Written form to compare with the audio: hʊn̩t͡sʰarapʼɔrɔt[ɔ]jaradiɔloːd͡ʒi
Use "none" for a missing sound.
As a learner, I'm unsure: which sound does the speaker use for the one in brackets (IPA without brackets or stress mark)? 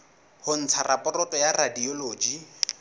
ɔ